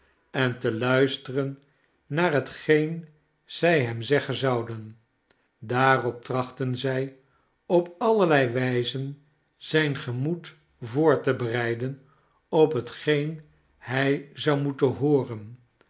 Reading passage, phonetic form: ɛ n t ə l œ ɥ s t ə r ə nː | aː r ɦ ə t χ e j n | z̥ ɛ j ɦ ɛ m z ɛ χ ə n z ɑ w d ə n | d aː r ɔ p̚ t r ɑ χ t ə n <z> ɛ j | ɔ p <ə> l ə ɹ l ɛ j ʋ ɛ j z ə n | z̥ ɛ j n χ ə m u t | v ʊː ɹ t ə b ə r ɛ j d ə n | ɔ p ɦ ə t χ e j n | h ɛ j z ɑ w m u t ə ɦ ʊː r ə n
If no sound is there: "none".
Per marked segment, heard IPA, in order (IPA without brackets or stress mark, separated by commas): z, ɑ